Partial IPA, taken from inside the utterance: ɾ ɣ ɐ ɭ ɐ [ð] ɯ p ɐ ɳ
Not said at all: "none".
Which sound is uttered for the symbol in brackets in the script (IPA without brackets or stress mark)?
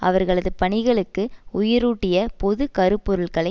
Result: ð